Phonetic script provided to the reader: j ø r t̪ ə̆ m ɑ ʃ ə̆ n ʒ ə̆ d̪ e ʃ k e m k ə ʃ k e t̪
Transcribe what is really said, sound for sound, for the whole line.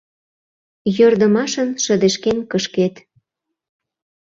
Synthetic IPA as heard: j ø r d̪ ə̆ m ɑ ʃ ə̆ n ʃ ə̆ d̪ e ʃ k e n k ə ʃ k e t̪